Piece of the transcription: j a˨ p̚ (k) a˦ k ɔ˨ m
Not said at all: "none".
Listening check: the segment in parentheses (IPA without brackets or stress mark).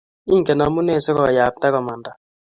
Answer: t